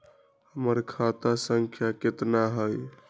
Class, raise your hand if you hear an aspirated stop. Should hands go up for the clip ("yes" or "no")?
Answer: yes